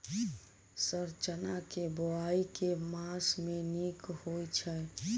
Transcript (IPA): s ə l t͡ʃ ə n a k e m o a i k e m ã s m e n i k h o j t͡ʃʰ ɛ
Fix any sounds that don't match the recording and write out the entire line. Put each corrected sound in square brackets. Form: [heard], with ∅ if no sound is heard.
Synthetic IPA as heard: s ə [ɾ] t͡ʃ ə n a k e [b] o a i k e m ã s m e n i k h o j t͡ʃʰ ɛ